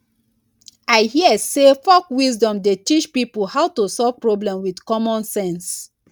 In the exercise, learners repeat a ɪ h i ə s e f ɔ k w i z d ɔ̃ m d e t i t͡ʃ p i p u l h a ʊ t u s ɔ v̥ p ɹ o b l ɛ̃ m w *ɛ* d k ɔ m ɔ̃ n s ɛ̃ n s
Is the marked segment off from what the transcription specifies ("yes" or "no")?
yes